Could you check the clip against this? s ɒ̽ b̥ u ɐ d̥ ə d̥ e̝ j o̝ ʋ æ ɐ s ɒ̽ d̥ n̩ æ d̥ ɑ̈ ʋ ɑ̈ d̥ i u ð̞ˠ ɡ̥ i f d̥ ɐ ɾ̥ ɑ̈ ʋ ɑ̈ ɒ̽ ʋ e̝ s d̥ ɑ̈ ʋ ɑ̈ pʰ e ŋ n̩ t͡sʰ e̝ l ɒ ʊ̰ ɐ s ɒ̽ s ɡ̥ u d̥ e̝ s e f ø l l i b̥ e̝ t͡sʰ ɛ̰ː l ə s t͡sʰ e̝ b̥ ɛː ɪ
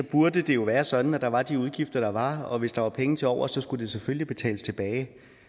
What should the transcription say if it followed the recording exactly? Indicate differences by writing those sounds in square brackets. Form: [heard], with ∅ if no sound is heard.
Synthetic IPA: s ɒ̽ b̥ u ɐ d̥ ə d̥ e̝ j o̝ ʋ [æː] ɐ s ɒ̽ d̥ n̩ æ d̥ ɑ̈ ʋ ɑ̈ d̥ i u ð̞ˠ ɡ̥ i f d̥ ɐ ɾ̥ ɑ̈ ʋ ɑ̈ ɒ̽ ʋ e̝ s d̥ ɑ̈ ʋ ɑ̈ pʰ e ŋ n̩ t͡sʰ e̝ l ɒ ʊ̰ ɐ s ɒ̽ s ɡ̥ u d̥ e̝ s e f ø l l i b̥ e̝ t͡sʰ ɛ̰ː l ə s t͡sʰ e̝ b̥ ɛː ɪ